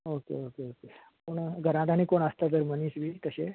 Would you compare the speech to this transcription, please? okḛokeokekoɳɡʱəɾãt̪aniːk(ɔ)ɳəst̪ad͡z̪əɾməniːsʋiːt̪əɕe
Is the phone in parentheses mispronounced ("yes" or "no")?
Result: yes